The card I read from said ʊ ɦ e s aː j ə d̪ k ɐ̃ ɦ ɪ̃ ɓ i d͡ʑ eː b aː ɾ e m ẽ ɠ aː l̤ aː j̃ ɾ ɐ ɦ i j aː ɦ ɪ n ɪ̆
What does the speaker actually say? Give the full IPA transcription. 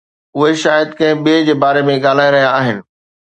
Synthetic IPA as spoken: ʊ ɦ e ʃ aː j ə d̪ k ɐ̃ ɦ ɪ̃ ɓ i d͡ʑ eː b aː ɾ e m ẽ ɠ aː l̤ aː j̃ ɾ ɐ ɦ i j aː ɦ ɪ n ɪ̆